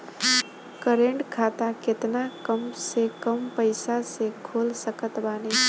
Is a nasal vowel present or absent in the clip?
absent